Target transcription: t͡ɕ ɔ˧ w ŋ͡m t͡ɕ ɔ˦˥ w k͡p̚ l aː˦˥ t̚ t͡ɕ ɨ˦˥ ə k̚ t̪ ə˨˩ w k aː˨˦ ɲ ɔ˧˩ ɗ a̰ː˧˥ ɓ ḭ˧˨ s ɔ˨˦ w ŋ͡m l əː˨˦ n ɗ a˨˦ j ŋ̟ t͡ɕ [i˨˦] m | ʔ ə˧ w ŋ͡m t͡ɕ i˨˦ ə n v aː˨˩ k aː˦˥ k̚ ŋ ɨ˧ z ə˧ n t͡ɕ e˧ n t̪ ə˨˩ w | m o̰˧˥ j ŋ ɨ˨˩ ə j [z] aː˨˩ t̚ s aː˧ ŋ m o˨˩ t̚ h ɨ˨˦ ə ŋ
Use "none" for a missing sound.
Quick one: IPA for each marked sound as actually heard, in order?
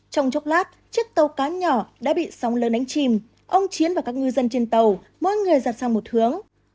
i˨˩, z

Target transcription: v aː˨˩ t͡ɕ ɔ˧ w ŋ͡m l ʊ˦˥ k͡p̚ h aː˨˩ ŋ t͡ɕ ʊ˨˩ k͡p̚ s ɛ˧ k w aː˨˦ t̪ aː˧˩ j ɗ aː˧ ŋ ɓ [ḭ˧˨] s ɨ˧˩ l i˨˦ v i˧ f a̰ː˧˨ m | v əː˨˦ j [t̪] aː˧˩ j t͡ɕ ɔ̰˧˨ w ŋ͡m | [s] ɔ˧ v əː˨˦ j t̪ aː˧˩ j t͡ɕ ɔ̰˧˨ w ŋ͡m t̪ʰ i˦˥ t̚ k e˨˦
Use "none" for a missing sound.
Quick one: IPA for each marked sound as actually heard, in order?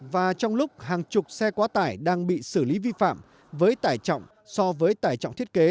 ḭ˧˨, t̪, s

